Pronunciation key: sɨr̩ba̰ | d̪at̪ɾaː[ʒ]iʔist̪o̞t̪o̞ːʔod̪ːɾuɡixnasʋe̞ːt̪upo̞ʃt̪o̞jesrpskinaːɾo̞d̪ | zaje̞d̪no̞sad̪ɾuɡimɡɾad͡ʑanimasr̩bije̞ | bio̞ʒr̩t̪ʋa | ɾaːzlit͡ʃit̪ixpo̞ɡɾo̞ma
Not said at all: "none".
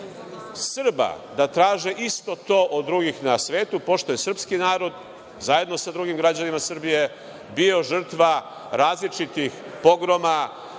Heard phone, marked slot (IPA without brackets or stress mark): ʒ